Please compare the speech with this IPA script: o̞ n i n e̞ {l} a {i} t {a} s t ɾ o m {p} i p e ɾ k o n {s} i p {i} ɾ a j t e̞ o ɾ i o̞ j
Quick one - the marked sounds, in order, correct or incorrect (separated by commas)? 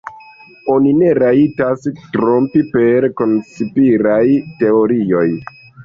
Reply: incorrect, correct, correct, correct, correct, correct